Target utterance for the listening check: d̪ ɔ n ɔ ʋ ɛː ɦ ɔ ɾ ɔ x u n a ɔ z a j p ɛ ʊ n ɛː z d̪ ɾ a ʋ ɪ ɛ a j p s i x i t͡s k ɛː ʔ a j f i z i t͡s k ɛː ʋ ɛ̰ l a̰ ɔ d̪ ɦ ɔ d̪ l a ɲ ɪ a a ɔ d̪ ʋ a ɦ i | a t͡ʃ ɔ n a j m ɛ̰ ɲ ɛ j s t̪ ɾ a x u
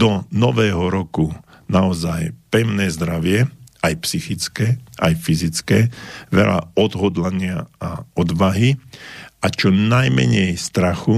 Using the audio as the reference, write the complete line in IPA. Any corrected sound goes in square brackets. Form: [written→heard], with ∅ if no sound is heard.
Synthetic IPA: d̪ ɔ n ɔ ʋ ɛː ɦ ɔ ɾ ɔ [x→k] u n a ɔ z a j p ɛ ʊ n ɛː z d̪ ɾ a ʋ ɪ ɛ a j p s i x i t͡s k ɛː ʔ a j f i z i t͡s k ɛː ʋ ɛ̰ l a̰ ɔ d̪ ɦ ɔ d̪ l a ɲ ɪ a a ɔ d̪ ʋ a ɦ i | a t͡ʃ ɔ n a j m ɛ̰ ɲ ɛ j s t̪ ɾ a x u